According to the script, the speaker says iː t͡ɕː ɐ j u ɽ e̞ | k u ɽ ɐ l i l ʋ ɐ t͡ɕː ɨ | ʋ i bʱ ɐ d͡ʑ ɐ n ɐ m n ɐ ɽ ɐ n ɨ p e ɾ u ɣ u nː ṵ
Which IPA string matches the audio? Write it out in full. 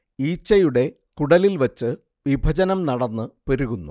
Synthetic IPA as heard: iː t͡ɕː ɐ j u ɽ e̞ | k u ɽ ɐ l i l ʋ ɐ t͡ɕː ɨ | ʋ i bʱ ɐ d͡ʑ ɐ n ɐ m n ɐ ɽ ɐ nː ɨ p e ɾ u ɣ u nː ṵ